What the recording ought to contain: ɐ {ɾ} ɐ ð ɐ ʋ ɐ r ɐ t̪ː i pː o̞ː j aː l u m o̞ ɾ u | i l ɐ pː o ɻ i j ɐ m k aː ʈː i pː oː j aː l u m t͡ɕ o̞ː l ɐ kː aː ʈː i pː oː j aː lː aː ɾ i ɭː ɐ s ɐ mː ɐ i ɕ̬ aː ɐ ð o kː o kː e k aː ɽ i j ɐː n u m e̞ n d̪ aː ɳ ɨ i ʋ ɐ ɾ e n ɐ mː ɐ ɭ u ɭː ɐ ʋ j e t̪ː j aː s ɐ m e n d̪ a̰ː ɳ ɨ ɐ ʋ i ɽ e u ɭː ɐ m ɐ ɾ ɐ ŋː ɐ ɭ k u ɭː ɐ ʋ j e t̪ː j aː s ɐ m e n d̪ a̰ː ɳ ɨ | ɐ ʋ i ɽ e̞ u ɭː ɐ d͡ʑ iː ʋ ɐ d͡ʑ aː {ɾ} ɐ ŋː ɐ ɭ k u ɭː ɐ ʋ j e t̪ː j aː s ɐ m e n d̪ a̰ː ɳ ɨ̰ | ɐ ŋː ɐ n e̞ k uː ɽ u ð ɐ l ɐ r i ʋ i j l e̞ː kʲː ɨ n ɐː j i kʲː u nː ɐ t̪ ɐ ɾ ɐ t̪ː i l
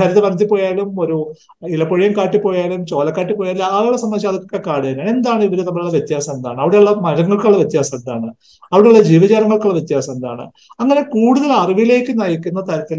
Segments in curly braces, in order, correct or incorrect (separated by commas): correct, correct